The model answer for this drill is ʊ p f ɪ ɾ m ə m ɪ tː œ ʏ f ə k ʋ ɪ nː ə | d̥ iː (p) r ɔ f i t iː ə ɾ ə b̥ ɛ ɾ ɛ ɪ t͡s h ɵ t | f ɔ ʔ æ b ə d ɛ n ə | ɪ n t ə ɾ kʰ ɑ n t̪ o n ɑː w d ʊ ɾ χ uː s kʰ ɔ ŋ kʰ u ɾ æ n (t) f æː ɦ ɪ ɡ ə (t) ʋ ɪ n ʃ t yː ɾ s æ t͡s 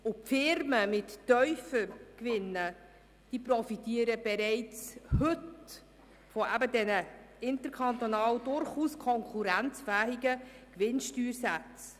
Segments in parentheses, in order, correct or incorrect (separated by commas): correct, incorrect, incorrect